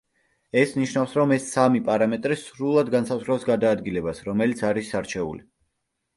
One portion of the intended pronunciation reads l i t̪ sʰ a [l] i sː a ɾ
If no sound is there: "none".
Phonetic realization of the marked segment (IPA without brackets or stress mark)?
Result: ɾ